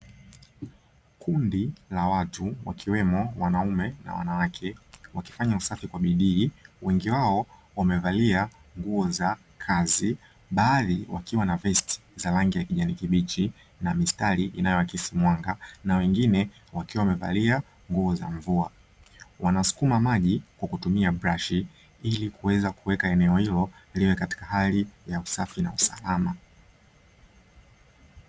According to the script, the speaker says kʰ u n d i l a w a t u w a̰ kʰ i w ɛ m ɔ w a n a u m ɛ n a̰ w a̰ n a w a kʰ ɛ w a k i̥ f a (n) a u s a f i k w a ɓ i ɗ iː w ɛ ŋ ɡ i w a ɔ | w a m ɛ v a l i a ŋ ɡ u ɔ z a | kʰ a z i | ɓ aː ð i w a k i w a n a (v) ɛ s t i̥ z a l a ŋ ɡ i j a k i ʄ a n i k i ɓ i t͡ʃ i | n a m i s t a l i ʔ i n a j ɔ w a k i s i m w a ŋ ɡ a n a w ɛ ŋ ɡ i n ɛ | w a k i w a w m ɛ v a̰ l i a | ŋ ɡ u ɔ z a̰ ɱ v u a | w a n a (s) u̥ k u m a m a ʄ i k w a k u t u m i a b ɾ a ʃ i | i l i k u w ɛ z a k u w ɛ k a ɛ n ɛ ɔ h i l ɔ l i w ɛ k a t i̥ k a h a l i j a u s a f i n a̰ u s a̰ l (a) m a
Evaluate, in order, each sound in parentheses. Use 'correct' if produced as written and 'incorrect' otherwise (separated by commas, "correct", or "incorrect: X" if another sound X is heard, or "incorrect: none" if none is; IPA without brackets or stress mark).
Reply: incorrect: ɲ, correct, correct, correct